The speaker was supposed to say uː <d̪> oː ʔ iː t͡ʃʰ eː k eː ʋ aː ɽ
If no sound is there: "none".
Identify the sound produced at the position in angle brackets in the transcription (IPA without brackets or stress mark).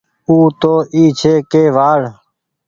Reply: t̪